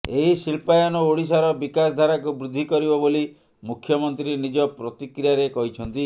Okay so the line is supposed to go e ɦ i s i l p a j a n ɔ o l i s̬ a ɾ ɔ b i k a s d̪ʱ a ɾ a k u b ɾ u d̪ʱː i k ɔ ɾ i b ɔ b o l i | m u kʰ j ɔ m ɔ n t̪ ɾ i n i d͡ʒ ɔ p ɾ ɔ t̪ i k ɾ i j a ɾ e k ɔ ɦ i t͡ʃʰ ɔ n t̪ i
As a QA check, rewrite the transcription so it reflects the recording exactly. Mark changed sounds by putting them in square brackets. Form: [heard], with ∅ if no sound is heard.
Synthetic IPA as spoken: e ɦ i s i l p a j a n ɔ o [ɽ] i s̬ a ɾ ɔ b i k a s d̪ʱ a ɾ a k u b ɾ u d̪ʱː i k ɔ ɾ i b ɔ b o l i | m u kʰ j ɔ m ɔ n t̪ ɾ i n i d͡ʒ ɔ p ɾ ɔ t̪ i k ɾ i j a ɾ e k ɔ ɦ i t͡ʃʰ ɔ n t̪ i